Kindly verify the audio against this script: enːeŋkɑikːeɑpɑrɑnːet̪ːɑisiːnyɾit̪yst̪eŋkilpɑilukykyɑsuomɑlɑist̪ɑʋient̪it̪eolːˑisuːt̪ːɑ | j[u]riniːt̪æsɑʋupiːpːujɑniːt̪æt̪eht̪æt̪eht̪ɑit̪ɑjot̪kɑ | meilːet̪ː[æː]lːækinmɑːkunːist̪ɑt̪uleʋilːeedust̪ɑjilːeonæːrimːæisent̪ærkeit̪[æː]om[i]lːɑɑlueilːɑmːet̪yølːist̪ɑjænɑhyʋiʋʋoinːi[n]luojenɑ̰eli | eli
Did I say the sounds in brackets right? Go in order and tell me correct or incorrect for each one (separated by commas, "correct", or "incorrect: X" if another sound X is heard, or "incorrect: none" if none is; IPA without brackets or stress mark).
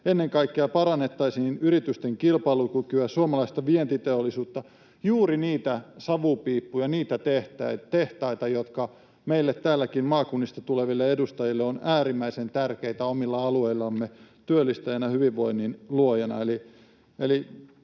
incorrect: uː, correct, incorrect: æ, correct, correct